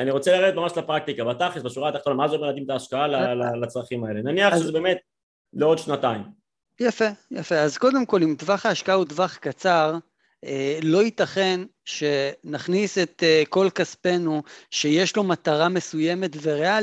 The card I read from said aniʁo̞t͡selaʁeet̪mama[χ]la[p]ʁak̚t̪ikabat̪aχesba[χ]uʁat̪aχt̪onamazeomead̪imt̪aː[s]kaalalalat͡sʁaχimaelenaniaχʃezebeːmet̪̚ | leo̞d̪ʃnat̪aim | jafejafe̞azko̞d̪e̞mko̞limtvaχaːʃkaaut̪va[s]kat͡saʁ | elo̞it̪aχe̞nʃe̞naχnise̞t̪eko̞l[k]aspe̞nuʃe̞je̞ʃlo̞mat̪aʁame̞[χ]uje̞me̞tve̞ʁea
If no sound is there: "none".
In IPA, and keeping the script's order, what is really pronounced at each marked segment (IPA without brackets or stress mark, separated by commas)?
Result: ʃ, p, ʃ, ʃ, χ, k, s